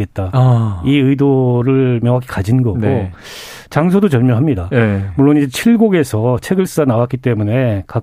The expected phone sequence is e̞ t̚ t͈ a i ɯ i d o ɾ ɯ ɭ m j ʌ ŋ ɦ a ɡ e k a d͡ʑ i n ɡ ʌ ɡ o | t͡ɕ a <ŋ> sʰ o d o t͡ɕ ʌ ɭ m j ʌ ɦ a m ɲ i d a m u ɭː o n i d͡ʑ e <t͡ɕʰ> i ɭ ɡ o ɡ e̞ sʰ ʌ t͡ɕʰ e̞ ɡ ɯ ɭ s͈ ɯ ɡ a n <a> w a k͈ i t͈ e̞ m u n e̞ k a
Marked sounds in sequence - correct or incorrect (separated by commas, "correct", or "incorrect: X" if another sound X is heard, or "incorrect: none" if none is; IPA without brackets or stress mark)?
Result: correct, correct, correct